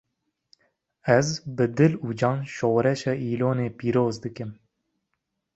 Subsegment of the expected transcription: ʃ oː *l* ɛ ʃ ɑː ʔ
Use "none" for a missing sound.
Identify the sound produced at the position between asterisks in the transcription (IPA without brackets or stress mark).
ɾ